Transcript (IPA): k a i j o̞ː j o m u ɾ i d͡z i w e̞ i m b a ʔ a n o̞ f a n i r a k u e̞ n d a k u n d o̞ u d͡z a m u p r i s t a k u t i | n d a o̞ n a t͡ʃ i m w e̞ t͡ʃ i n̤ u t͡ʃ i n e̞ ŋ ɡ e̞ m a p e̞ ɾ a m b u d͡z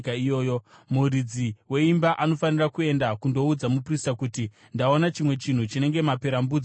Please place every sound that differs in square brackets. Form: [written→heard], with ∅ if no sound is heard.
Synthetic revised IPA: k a i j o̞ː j o m u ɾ i d͡z i w e̞ i m b a ʔ a n o̞ f a n i r a k u e̞ n d a k u n d o̞ u d͡z a m u p r i s t a k u t i | n d a o̞ n a t͡ʃ i m w e̞ t͡ʃ i n̤ u t͡ʃ i n e̞ ŋ ɡ e̞ m a p e̞ ɾ a m b u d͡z